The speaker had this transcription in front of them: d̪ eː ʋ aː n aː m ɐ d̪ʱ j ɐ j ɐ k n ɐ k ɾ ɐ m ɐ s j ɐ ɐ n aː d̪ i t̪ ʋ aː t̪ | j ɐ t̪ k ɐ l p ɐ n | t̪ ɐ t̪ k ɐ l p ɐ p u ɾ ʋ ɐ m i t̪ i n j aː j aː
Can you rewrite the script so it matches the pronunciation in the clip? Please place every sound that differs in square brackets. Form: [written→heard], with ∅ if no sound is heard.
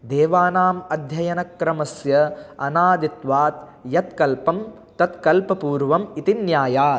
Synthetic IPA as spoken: d̪ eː ʋ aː n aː m ɐ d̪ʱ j ɐ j ɐ [k→∅] n ɐ k ɾ ɐ m ɐ s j ɐ ɐ n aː d̪ i t̪ ʋ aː t̪ | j ɐ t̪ k ɐ l p ɐ [n→m] | t̪ ɐ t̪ k ɐ l p ɐ p [u→uː] ɾ ʋ ɐ m i t̪ i n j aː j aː